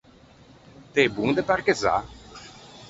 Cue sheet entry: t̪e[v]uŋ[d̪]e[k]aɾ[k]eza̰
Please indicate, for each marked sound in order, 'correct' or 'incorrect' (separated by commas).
incorrect, correct, incorrect, correct